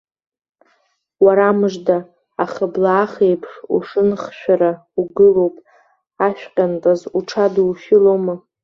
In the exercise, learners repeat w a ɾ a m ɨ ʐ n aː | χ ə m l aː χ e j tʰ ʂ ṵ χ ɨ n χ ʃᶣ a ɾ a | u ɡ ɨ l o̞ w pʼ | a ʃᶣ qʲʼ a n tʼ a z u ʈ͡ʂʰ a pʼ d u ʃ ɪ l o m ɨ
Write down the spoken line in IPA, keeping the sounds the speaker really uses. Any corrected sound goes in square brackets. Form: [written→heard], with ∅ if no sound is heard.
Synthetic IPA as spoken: w a ɾ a m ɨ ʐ [n→d] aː | χ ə [m→b] l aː χ e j [tʰ→pʰ] ʂ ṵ [χ→ʂ] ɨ n χ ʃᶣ a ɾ a | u ɡ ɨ l o̞ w pʼ | a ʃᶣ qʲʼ a n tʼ a z u ʈ͡ʂʰ a [pʼ→∅] d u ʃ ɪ l o m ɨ